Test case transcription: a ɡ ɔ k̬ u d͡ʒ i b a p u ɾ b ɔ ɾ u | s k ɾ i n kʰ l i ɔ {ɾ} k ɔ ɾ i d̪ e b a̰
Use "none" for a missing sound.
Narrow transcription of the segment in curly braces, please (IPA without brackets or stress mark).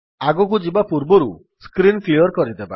ɾ